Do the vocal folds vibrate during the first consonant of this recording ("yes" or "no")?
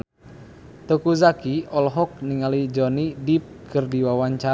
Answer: no